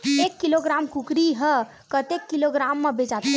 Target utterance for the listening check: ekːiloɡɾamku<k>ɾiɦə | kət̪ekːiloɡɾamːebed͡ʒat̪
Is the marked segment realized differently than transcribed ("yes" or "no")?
no